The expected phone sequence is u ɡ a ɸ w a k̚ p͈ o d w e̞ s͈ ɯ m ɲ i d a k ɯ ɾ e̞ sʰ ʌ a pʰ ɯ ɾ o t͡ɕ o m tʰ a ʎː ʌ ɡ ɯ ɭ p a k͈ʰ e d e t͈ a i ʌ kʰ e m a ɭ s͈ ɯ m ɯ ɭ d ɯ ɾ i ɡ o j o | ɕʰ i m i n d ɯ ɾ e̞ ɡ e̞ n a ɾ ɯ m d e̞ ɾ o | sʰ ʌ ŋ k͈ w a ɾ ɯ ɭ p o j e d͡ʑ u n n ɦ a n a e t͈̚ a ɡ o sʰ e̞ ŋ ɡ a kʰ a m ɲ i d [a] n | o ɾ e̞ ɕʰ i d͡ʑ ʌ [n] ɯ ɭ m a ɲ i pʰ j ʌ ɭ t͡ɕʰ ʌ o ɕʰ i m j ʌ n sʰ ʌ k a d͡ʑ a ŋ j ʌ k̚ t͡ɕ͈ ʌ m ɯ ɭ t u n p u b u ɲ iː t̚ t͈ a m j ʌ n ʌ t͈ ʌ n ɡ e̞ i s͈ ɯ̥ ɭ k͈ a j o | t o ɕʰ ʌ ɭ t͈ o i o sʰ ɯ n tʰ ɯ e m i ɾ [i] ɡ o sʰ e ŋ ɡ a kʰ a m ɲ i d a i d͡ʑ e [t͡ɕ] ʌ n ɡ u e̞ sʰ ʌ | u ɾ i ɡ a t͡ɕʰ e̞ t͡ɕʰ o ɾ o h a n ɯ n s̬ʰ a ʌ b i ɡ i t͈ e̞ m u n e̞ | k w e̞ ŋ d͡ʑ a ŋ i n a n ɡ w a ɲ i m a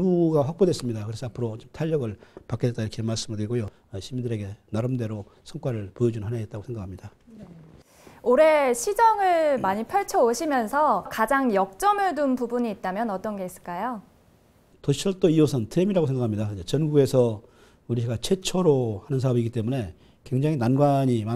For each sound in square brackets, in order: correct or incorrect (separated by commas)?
correct, incorrect, incorrect, correct